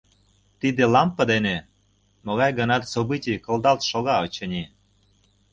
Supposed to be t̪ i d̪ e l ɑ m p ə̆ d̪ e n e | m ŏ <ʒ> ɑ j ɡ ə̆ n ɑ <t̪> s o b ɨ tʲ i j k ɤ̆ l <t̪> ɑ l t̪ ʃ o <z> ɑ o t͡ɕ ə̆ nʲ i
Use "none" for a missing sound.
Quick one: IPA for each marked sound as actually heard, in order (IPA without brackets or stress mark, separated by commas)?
ɣ, t̪, d̪, ɣ